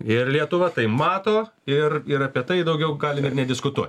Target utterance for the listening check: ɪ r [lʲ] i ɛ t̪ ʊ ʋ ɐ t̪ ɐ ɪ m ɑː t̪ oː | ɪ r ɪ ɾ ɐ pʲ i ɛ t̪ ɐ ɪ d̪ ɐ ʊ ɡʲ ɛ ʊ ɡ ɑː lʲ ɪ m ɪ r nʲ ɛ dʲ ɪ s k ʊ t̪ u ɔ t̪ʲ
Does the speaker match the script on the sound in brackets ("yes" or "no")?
yes